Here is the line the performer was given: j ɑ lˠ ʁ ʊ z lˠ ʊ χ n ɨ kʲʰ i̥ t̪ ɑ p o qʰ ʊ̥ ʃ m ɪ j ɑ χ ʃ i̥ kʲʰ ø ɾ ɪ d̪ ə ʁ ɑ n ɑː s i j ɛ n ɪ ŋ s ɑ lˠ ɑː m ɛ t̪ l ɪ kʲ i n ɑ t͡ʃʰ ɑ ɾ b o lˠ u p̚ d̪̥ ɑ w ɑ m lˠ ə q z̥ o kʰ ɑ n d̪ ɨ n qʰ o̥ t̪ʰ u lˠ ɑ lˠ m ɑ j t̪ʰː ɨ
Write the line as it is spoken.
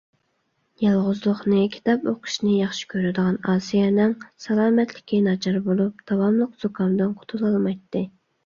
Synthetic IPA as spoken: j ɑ lˠ ʁ ʊ z lˠ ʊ χ n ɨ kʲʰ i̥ t̪ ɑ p o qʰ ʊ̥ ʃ n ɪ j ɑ χ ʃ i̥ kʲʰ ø ɾ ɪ d̪ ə ʁ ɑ n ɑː s i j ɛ n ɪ ŋ s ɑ lˠ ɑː m ɛ t̪ l ɪ kʲ i n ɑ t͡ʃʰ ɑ ɾ b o lˠ u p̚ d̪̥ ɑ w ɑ m lˠ ə q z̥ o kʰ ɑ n d̪ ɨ n qʰ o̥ t̪ʰ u lˠ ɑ lˠ m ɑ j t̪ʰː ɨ

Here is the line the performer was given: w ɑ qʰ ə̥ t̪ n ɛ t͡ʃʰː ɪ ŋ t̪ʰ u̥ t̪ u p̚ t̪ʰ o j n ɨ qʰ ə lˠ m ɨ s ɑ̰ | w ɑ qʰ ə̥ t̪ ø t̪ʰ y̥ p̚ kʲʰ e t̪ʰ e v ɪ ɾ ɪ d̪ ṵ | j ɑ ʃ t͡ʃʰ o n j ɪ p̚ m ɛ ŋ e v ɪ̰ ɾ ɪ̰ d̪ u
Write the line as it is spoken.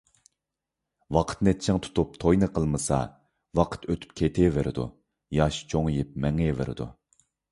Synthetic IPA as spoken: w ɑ qʰ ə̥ t̪ n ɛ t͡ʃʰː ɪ ŋ t̪ʰ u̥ t̪ u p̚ t̪ʰ o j n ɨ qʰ ə lˠ m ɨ s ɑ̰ | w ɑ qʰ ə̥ t̪ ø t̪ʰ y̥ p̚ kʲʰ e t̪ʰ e v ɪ ɾ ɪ d̪ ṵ | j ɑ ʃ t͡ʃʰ o ŋ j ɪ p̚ m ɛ ŋ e v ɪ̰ ɾ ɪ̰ d̪ u

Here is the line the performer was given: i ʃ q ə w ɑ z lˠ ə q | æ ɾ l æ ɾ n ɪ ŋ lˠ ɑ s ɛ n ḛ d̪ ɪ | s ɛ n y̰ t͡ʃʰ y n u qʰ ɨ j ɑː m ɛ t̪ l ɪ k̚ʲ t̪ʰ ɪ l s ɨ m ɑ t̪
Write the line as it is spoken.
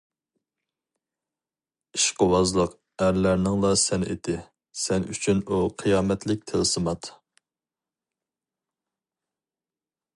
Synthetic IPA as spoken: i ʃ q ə w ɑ z lˠ ə q | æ ɾ l æ ɾ n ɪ ŋ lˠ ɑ s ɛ n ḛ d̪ ɪ | s ɛ n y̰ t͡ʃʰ y n u qʰ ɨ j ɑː m ɛ t̪ l ɪ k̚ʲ t̪ʰ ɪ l s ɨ m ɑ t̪

